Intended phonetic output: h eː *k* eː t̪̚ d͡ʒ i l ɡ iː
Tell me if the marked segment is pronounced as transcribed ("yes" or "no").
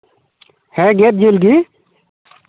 no